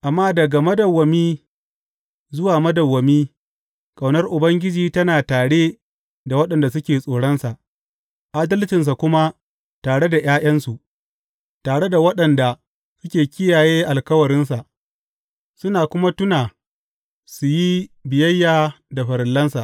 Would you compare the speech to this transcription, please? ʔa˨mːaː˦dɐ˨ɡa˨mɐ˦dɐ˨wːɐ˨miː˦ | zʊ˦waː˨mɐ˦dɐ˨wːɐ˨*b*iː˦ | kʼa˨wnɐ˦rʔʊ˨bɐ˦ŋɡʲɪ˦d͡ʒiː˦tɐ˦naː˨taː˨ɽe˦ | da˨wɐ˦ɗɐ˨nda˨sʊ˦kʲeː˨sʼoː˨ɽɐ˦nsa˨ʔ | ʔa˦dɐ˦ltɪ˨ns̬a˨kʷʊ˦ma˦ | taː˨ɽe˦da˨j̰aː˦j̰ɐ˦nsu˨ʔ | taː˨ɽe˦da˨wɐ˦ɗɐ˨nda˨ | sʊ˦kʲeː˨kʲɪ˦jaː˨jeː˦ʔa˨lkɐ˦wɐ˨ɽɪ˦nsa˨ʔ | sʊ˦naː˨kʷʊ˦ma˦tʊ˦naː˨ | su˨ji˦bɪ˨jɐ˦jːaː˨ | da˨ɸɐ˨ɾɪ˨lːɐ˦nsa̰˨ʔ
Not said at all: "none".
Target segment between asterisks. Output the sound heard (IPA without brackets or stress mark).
m